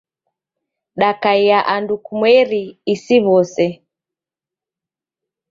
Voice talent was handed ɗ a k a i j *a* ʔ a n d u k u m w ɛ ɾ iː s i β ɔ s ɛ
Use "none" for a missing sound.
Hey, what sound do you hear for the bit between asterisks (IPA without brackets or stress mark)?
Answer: a